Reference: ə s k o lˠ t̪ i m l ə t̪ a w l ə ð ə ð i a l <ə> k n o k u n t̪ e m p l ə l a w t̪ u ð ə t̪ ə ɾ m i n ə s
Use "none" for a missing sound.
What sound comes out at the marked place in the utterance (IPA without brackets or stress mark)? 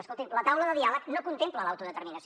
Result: ə